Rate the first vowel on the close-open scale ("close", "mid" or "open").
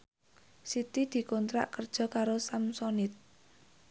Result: close